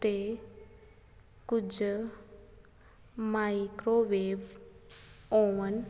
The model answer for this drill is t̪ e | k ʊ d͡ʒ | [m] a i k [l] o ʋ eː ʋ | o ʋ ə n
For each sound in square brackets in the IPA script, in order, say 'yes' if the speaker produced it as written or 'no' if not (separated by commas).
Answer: yes, no